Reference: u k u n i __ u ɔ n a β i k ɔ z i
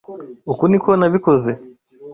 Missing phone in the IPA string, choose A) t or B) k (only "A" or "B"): B